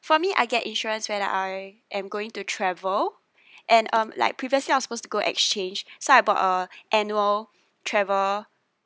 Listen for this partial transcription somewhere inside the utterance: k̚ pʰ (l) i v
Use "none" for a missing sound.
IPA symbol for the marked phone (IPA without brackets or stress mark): ɹ